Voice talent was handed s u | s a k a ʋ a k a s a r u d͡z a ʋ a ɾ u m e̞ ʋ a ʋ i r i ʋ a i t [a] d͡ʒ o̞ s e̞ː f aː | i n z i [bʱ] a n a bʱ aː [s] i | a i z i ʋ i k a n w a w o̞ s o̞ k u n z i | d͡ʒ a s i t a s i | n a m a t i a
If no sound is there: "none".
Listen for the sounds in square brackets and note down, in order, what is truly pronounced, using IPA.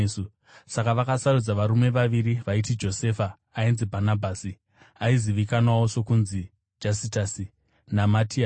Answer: i, bʱ, s

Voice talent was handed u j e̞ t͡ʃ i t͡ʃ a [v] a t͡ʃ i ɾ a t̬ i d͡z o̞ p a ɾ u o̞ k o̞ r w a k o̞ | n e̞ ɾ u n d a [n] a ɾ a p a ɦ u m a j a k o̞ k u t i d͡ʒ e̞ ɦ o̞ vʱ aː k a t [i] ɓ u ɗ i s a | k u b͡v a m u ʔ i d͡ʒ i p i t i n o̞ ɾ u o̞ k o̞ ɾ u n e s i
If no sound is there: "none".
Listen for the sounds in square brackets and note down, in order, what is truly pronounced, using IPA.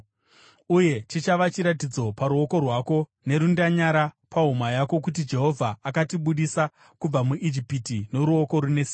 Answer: ʋ, ɲ, i

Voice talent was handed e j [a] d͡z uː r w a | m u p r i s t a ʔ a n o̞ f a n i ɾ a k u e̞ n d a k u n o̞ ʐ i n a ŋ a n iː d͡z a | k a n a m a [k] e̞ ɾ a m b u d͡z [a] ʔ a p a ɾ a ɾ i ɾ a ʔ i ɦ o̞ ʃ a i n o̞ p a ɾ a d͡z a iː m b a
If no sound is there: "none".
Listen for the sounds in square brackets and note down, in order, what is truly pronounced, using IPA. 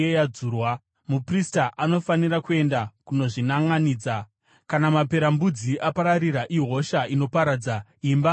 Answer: a, p, i

